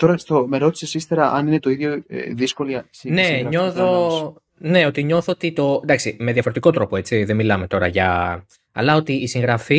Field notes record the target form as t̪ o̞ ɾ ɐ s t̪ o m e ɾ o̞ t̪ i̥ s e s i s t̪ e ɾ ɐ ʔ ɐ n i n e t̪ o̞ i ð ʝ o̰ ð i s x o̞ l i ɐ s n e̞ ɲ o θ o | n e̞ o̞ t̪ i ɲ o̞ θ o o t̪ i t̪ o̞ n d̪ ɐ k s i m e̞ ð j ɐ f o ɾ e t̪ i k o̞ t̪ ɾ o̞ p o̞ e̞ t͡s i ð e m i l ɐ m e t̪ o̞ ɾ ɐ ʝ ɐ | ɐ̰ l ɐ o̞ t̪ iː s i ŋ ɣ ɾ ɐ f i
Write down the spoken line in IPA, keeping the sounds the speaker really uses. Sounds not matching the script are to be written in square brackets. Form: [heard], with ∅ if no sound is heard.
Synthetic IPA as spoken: t̪ o̞ ɾ ɐ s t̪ o m e ɾ o̞ t̪ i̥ s e s i s t̪ e ɾ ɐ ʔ ɐ n i n e t̪ o̞ i ð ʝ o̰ ð i s [k] o̞ l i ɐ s n e̞ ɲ o θ o | n e̞ o̞ t̪ i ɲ o̞ θ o o t̪ i t̪ o̞ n d̪ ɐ k s i m e̞ ð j ɐ f o ɾ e t̪ i k o̞ t̪ ɾ o̞ p o̞ e̞ t͡s i ð e m i l ɐ m e t̪ o̞ ɾ ɐ ʝ ɐ | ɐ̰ l ɐ o̞ t̪ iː s i ŋ ɣ ɾ ɐ f i